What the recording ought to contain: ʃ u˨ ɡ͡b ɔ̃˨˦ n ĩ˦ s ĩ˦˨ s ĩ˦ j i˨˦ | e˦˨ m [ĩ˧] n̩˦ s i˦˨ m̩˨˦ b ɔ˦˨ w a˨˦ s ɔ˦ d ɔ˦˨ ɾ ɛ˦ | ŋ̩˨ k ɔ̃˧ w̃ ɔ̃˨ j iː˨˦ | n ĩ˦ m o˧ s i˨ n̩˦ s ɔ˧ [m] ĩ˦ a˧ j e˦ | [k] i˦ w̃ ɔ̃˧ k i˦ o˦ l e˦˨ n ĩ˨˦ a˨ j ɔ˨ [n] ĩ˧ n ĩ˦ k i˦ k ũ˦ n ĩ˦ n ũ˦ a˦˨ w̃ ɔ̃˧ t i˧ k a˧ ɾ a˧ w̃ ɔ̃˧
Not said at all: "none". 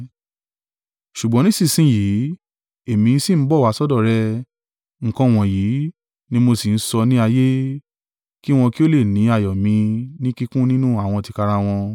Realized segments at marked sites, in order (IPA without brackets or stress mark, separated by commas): ĩ˧, n, k, m